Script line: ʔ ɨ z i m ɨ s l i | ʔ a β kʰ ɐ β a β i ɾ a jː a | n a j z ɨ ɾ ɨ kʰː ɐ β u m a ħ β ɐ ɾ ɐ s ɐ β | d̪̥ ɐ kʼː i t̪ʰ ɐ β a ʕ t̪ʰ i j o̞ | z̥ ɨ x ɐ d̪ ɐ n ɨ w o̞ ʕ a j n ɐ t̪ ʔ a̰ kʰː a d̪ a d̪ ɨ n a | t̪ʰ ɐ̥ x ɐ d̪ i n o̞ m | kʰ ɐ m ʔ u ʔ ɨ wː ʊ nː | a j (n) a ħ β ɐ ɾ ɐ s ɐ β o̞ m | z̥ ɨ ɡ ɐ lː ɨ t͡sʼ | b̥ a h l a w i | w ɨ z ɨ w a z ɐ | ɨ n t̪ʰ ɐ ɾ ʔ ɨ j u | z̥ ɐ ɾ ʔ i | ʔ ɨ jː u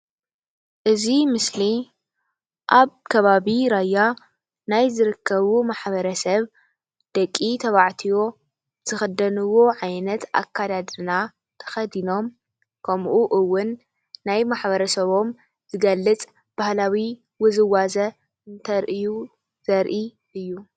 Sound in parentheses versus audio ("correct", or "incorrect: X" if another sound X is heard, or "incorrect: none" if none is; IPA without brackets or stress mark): incorrect: m